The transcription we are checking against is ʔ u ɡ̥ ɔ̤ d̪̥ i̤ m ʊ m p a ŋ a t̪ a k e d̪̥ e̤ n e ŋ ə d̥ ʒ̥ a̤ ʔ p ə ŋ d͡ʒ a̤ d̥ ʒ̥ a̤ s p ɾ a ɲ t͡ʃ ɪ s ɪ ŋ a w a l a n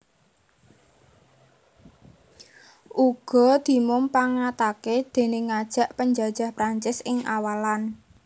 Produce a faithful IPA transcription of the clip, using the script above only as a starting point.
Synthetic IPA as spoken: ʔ u ɡ̥ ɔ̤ d̪̥ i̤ m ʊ m p a ŋ a t̪ a k e d̪̥ e̤ n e ŋ a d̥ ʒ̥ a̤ ʔ p ə ɲ d͡ʒ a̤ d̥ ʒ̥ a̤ h p ɾ a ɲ t͡ʃ ɪ s ɪ ŋ a w a l a n